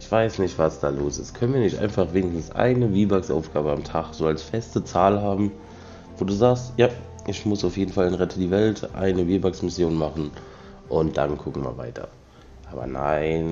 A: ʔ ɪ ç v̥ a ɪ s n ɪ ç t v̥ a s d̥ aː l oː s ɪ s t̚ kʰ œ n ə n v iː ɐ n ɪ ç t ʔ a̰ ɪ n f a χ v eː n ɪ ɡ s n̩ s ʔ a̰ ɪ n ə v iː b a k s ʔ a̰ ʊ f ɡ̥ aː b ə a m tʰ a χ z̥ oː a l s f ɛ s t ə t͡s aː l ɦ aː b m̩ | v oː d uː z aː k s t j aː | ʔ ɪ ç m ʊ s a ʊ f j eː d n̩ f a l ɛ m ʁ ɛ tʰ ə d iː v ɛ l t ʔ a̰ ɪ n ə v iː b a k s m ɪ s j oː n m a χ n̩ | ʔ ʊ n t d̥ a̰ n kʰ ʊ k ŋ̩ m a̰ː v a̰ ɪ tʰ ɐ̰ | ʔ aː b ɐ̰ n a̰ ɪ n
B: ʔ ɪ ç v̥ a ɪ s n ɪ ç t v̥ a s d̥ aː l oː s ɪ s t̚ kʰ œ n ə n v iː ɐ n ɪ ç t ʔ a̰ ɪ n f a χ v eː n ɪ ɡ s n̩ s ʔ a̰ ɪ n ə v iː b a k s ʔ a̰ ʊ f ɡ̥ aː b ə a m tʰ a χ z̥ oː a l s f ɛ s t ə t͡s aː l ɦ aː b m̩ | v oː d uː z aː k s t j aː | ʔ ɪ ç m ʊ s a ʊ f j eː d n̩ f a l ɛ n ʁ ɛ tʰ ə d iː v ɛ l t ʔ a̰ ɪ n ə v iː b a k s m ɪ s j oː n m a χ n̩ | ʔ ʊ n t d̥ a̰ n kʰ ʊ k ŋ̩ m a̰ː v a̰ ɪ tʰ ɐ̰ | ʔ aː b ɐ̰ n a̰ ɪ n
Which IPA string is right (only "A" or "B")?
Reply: B